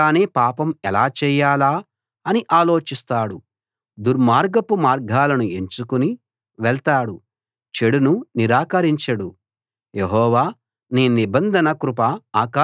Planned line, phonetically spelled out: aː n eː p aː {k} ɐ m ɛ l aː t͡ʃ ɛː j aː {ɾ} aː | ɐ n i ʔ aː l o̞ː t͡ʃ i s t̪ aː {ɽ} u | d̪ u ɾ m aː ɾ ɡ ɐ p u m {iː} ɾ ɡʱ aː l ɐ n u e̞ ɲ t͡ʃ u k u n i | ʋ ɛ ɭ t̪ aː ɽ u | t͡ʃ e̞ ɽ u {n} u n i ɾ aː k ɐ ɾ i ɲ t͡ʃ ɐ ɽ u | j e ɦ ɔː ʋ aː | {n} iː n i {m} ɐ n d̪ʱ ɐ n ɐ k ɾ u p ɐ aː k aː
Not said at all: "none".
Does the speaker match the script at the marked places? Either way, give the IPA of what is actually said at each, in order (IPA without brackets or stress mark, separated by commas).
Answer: p, l, ɽ, aː, n, n, b